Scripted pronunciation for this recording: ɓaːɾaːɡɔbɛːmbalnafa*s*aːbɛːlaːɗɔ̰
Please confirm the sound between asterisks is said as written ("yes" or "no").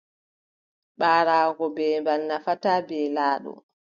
no